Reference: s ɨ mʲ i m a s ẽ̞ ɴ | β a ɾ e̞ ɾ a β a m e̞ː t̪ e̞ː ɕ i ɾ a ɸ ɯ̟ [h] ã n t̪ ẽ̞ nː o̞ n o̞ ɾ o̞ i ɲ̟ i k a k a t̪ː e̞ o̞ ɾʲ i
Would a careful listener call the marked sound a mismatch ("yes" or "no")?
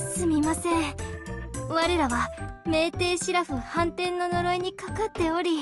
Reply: no